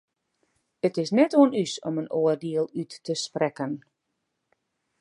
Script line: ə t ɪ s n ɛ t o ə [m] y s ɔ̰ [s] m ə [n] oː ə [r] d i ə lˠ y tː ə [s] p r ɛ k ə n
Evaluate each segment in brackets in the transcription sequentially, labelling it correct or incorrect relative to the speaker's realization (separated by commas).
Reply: incorrect, incorrect, correct, correct, correct